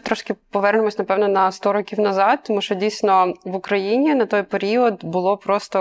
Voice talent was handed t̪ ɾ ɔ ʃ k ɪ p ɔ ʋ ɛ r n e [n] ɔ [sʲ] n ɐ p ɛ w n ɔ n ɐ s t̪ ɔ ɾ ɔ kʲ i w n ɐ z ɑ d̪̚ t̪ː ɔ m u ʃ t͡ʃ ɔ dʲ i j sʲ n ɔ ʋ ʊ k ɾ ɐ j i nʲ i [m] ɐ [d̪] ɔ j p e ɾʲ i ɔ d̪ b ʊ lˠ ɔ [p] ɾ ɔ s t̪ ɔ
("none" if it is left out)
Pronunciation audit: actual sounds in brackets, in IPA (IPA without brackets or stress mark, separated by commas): m, sʲ, n, t̪, p